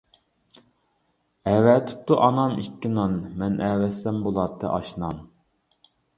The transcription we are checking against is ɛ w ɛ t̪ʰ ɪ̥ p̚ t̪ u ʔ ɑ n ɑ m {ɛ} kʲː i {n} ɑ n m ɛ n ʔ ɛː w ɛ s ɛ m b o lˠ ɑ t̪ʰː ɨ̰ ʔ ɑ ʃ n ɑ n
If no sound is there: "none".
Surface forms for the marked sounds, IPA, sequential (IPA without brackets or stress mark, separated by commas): i, n